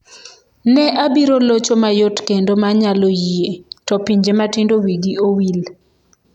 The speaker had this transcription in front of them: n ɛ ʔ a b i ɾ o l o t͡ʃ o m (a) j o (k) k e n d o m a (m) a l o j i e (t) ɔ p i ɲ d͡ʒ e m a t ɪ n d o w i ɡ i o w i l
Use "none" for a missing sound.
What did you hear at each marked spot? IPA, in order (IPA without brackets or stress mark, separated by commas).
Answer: a, t, ɲ, t